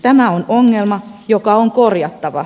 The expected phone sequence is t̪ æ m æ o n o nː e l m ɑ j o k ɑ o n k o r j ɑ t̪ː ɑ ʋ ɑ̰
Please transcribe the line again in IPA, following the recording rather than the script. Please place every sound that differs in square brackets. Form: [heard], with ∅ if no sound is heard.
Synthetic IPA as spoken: t̪ æ m æ o n o [ŋː] e l m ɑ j o k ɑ o [ŋ] k o r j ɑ t̪ː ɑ ʋ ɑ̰